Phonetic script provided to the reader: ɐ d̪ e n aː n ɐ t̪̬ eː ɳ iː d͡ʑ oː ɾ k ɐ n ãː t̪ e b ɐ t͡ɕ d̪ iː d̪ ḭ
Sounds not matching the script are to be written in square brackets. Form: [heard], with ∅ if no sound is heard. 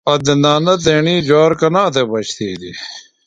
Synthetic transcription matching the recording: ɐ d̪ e n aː n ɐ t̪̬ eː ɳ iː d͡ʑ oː ɾ k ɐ n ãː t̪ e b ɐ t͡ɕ [t̪] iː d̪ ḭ